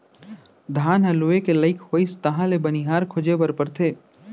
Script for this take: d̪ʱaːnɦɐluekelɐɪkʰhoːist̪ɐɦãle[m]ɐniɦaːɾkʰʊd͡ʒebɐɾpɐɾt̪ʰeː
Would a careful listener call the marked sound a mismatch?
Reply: yes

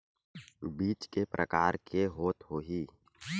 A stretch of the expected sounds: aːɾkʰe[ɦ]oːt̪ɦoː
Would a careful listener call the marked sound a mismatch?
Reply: no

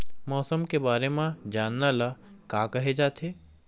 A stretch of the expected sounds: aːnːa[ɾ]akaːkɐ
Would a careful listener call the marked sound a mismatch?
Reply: yes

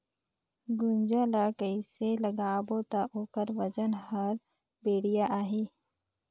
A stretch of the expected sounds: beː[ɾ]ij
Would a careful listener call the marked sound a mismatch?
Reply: yes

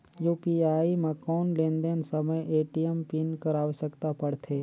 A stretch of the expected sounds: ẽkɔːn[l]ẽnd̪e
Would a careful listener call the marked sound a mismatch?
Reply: no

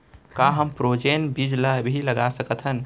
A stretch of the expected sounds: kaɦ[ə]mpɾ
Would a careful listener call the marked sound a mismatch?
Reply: no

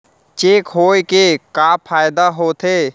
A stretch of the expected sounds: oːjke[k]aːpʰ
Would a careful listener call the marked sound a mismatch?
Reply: no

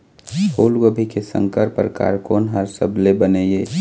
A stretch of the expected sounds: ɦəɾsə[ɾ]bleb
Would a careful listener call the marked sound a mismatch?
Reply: yes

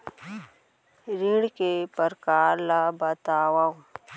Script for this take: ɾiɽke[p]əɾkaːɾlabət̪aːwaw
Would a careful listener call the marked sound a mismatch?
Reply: no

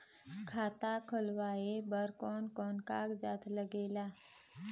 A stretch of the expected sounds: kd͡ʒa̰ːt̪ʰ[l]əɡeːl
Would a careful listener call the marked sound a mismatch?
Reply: no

